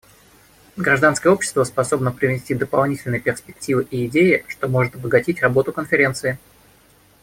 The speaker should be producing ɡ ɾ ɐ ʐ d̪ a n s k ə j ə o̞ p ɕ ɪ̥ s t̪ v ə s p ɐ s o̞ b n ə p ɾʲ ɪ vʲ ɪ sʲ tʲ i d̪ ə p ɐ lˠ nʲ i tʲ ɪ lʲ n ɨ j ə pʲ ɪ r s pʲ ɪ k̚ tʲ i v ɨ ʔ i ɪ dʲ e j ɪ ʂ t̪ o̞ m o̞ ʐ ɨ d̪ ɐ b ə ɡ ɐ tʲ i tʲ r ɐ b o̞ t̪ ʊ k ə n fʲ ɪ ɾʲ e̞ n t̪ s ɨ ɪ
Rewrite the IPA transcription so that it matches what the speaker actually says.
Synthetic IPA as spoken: ɡ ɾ ɐ ʐ d̪ a n s k ə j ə o̞ p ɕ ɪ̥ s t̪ v ə s p ɐ s o̞ b n ə p ɾʲ ɪ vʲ ɪ sʲ tʲ i d̪ ə p ɐ lˠ nʲ i tʲ ɪ lʲ n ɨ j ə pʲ ɪ r s pʲ ɪ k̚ tʲ i v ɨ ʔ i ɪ dʲ e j ɪ ʂ t̪ o̞ m o̞ ʐ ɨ t̪ ɐ b ə ɡ ɐ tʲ i tʲ r ɐ b o̞ t̪ ʊ k ə n fʲ ɪ ɾʲ e̞ n t̪ s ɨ ɪ